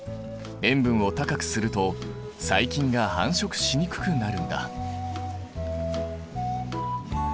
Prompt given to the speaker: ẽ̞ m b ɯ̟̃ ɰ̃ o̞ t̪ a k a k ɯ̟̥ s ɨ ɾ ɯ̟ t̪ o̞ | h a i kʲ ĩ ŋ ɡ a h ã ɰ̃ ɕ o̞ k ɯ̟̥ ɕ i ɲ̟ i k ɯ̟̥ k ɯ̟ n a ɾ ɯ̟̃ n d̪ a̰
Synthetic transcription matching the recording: ẽ̞ m b ɯ̟̃ ɰ̃ o̞ t̪ a k a k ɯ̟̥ s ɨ ɾ ɯ̟ t̪ o̞ | s a i kʲ ĩ ŋ ɡ a h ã ɰ̃ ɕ o̞ k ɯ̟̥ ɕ i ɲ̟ i k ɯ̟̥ k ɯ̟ n a ɾ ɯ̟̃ n d̪ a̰